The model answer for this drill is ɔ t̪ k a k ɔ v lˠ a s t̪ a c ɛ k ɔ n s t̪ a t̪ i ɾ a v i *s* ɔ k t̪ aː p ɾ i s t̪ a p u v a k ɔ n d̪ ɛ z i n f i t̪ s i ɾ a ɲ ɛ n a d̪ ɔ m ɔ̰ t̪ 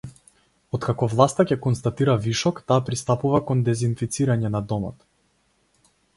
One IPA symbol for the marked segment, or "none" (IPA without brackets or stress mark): ʃ